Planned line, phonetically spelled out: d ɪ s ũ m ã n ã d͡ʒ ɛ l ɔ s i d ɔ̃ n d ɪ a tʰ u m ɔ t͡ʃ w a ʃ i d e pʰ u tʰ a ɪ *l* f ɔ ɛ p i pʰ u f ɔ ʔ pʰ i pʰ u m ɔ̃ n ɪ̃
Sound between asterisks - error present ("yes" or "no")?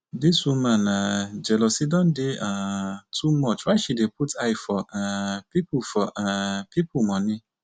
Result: yes